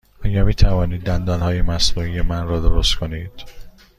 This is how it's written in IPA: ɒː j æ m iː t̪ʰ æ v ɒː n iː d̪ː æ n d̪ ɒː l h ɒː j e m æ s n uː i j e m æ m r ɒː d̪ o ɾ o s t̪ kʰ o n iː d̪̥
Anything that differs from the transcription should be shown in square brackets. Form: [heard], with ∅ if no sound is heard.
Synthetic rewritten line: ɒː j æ m iː t̪ʰ æ v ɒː n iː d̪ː æ n d̪ ɒː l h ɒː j e m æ s n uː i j e m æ [n] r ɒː d̪ o ɾ o s t̪ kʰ o n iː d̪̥

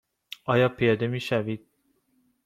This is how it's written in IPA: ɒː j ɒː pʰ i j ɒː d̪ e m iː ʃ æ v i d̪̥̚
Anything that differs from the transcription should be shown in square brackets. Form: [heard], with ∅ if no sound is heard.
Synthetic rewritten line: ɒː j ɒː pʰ i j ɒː d̪ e m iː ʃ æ v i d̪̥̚

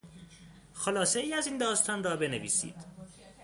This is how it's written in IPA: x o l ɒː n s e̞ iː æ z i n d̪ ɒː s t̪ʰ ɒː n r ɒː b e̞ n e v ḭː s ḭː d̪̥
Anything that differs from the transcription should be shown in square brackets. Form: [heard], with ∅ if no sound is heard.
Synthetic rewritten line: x o l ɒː [∅] s e̞ iː æ z i n d̪ ɒː s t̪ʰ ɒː n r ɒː b e̞ n e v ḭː s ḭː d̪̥

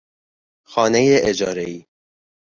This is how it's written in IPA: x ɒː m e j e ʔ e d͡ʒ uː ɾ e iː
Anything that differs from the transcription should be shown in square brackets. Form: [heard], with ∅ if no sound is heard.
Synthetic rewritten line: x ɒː [n] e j e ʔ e d͡ʒ [ɒː] ɾ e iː

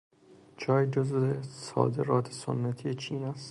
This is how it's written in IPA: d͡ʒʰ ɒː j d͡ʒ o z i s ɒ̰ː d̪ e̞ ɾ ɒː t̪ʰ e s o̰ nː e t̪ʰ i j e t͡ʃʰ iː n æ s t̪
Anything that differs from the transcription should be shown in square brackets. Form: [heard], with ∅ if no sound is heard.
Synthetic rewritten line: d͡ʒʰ ɒː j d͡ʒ o z [e] s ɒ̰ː d̪ e̞ ɾ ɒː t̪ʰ e s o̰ nː [æ] t̪ʰ i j e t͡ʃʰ iː n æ s t̪

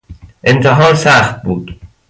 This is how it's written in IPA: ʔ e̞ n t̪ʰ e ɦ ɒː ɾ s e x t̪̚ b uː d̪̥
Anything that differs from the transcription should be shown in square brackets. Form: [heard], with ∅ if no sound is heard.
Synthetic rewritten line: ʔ e̞ n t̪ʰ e ɦ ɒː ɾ s [æ] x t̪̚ b uː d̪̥

